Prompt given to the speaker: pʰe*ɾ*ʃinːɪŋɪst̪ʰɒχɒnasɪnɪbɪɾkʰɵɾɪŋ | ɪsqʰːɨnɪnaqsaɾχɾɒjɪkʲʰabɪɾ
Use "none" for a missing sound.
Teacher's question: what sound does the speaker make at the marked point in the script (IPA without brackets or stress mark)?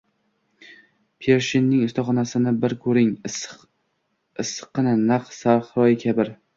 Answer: ɾ